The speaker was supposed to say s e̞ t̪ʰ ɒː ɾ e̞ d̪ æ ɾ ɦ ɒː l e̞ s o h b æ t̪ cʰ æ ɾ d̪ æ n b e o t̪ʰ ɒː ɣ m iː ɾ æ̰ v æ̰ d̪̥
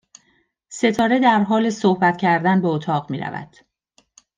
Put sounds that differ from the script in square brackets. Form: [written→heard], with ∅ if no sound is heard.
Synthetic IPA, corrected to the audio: s e̞ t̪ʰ ɒː ɾ e̞ d̪ æ ɾ ɦ ɒː l e̞ s o h b æ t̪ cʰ æ ɾ d̪ æ n b e o t̪ʰ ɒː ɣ m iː ɾ æ̰ v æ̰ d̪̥